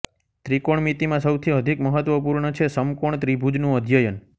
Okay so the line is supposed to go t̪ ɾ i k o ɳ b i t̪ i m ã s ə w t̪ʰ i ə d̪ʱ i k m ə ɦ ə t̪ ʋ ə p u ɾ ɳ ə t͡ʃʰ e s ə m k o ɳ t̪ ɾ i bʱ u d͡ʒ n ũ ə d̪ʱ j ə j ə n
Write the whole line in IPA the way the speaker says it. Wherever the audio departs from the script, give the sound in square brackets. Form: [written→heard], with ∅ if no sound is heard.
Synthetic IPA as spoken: t̪ ɾ i k o ɳ [b→m] i t̪ i m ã s ə w t̪ʰ i ə d̪ʱ i k m ə ɦ ə t̪ ʋ ə p u ɾ ɳ ə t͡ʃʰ e s ə m k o ɳ t̪ ɾ i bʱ u d͡ʒ n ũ ə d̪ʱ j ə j ə n